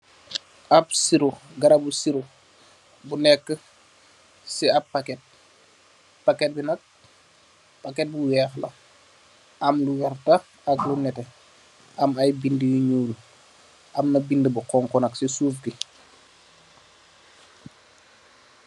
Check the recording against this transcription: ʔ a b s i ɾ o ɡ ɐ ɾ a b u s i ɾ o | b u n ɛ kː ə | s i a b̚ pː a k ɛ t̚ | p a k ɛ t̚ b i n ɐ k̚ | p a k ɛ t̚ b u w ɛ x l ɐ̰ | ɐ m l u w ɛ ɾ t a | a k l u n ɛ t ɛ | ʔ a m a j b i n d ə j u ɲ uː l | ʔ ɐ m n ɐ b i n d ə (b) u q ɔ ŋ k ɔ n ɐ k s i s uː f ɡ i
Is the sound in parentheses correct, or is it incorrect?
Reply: correct